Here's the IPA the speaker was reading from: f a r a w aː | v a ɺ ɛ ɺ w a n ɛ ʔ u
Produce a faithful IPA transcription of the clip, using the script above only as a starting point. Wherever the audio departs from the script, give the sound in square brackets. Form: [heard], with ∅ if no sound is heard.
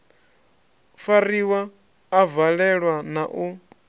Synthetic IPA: f a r [i] w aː | v a ɺ ɛ ɺ w a n [a] ʔ u